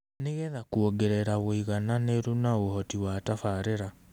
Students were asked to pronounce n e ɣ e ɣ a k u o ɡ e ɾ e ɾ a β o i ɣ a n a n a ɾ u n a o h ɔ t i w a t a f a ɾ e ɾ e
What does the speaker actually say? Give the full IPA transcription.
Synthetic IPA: n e ɣ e ð a k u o ɡ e ɾ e ɾ a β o i ɣ a n a n e ɾ u n a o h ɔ t i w a t a f a ɾ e ɾ a